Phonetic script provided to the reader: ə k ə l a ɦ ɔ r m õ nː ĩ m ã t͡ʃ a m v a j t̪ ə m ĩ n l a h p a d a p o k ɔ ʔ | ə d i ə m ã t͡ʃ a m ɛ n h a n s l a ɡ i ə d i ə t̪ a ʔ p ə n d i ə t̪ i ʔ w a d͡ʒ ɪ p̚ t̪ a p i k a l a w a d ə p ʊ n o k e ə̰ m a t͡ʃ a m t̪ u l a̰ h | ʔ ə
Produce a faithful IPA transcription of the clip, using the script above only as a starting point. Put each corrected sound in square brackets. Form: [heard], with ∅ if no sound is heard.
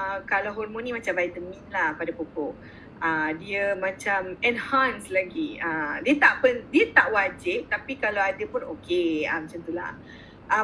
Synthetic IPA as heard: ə k [a] l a ɦ ɔ r m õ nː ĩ m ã t͡ʃ a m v a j t̪ ə m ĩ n l a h p a d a p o k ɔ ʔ | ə d i ə m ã t͡ʃ a m ɛ n h a n s l a ɡ i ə d i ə t̪ a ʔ p ə n d i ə t̪ [a] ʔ w a d͡ʒ ɪ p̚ t̪ a p i k a l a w a d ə p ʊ n o k e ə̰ m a t͡ʃ a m t̪ u l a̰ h | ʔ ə